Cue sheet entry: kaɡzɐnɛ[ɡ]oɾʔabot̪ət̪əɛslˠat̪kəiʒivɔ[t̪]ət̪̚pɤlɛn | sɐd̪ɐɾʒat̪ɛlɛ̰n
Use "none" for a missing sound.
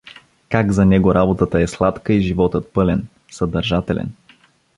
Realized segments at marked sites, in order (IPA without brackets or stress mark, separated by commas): ɡ, t̪